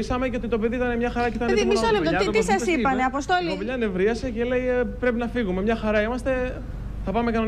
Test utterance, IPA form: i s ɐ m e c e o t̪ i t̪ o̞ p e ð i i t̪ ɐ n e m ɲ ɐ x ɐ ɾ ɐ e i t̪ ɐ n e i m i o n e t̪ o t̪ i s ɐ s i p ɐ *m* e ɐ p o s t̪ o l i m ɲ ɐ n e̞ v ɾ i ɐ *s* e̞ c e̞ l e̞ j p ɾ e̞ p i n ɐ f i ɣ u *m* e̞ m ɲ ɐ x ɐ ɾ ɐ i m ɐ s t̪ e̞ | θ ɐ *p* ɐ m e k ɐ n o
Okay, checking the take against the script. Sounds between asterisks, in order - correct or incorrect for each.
incorrect, correct, correct, correct

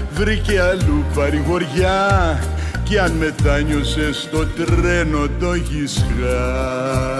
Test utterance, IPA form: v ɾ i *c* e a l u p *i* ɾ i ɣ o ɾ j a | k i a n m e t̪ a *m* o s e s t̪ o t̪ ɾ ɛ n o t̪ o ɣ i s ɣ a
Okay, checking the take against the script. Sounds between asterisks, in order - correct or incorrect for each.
incorrect, incorrect, incorrect

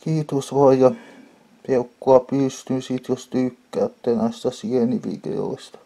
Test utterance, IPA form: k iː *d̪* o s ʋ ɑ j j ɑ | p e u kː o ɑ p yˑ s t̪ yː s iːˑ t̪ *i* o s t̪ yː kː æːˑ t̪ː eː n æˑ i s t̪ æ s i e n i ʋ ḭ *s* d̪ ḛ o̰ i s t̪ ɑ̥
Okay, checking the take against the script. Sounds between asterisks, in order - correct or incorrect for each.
incorrect, incorrect, incorrect

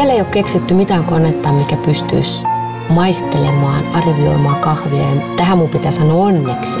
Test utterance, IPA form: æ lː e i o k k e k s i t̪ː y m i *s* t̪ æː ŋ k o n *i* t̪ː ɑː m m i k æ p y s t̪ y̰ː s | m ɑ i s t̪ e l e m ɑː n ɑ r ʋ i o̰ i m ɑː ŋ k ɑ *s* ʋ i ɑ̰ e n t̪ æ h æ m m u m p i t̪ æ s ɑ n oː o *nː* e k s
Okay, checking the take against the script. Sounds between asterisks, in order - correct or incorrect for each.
incorrect, incorrect, incorrect, correct

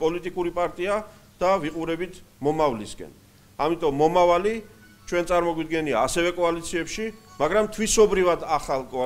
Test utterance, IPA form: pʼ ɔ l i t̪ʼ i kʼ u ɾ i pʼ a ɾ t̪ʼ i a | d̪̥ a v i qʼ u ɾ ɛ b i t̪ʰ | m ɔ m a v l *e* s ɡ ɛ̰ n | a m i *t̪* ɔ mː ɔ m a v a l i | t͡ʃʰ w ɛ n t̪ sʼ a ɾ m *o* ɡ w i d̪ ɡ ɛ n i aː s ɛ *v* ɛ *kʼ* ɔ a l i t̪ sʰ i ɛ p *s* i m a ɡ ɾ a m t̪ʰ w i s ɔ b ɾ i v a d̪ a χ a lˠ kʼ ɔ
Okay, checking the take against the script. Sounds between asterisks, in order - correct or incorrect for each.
incorrect, incorrect, incorrect, correct, correct, incorrect

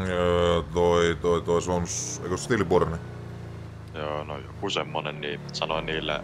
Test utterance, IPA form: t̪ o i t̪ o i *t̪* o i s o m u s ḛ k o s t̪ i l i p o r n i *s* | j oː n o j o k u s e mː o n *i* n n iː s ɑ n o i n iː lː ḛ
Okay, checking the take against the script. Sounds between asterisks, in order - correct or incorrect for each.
correct, incorrect, incorrect

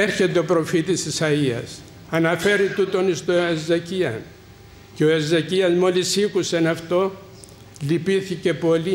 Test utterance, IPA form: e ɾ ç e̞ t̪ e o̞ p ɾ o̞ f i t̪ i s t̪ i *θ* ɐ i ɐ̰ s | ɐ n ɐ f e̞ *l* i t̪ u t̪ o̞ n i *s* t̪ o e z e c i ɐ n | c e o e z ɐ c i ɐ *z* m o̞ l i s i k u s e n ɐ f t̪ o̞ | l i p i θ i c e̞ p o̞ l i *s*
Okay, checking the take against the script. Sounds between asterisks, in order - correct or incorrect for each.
incorrect, incorrect, correct, correct, incorrect

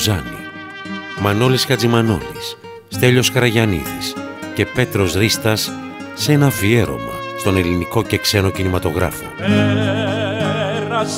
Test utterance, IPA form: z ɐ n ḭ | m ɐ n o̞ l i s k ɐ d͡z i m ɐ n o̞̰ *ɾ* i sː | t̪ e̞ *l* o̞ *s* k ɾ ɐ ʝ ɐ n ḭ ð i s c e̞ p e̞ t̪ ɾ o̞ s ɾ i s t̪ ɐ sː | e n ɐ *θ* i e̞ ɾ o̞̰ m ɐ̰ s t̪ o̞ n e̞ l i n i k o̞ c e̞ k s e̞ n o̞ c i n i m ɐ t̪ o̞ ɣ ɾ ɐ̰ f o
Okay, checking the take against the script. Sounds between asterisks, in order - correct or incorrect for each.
incorrect, incorrect, correct, incorrect

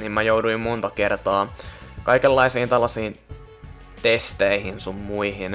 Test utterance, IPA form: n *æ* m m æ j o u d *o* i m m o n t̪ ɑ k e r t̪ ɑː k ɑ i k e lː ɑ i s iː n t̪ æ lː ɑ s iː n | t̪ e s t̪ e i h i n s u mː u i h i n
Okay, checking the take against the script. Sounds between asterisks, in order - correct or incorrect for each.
incorrect, incorrect

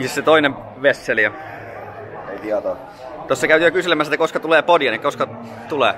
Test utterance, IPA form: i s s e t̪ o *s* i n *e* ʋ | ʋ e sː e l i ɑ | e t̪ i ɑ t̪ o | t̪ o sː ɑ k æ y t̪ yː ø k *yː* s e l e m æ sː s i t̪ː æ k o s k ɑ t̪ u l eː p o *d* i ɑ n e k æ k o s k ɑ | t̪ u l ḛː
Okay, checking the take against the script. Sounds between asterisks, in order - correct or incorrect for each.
incorrect, correct, incorrect, correct

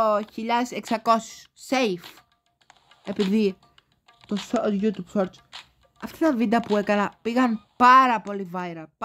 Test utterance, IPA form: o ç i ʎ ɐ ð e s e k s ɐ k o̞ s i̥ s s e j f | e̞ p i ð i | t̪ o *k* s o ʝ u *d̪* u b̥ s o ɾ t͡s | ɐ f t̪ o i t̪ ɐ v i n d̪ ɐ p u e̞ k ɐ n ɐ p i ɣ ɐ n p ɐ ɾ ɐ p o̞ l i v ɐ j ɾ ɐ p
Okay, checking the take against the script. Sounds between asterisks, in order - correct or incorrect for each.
incorrect, incorrect

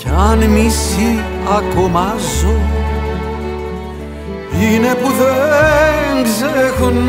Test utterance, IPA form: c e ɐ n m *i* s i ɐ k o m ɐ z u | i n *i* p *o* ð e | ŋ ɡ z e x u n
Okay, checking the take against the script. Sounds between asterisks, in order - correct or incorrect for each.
correct, incorrect, incorrect

